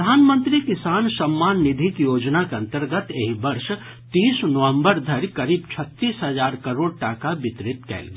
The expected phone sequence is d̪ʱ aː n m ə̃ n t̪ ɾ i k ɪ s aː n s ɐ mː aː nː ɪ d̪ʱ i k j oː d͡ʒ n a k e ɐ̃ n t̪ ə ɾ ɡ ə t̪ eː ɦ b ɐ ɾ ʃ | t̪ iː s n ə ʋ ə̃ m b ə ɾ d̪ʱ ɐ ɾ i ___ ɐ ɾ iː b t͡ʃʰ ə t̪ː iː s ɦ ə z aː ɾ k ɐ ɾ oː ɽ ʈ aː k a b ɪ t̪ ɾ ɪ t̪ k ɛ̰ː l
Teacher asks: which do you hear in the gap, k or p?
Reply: k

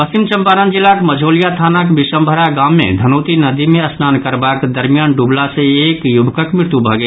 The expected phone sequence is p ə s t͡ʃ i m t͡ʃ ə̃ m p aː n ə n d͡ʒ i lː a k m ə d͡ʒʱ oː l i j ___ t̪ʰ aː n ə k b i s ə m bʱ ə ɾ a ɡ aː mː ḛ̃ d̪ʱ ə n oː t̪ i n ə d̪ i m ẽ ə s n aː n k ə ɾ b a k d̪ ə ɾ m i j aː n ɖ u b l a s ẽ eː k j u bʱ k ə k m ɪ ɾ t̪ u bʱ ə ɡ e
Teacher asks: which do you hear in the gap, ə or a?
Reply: a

